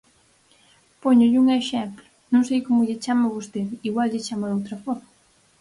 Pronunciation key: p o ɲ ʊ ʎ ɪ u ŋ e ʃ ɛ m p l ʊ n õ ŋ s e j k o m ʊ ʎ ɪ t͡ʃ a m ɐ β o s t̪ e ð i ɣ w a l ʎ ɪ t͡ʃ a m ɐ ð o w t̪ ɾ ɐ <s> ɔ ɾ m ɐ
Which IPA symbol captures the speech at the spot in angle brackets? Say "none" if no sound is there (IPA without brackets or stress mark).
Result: f